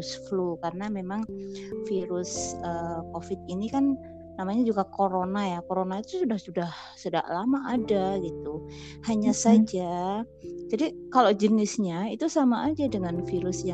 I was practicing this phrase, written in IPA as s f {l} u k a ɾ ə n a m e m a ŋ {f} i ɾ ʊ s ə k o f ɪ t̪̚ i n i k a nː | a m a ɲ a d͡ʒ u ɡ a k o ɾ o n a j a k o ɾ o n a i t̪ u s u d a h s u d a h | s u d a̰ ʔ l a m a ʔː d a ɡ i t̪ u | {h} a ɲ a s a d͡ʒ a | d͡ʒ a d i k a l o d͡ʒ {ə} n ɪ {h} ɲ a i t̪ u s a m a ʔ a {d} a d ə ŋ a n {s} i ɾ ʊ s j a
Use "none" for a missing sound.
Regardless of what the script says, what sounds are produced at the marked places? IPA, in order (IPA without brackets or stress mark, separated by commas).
l, f, h, ə, s, d͡ʒ, f